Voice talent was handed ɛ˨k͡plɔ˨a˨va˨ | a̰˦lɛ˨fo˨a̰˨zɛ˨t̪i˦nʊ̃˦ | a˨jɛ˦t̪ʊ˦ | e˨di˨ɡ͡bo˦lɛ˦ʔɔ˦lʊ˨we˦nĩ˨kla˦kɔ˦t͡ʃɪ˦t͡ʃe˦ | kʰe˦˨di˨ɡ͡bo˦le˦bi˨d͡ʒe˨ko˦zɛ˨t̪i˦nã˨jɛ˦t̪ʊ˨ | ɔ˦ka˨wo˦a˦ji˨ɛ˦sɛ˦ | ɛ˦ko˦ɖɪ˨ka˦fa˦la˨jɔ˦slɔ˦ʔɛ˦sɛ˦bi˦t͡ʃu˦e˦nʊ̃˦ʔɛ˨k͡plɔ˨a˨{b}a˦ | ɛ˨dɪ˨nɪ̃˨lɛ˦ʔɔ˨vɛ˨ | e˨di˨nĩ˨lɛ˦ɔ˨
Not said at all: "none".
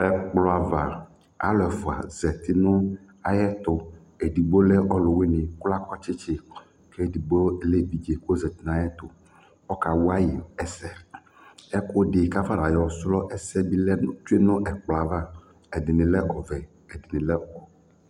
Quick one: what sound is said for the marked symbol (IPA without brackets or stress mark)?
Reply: v